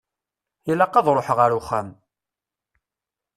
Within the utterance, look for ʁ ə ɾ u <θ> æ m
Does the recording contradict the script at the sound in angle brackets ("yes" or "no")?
yes